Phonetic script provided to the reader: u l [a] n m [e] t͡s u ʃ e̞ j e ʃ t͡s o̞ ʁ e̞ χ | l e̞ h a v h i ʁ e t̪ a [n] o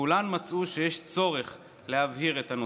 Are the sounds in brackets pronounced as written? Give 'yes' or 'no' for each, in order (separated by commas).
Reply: yes, no, yes